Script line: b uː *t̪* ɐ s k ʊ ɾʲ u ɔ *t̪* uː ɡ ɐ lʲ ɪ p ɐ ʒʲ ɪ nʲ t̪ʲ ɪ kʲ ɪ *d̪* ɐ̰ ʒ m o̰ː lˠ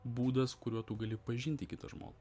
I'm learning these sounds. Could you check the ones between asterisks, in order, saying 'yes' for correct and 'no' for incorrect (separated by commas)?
no, yes, no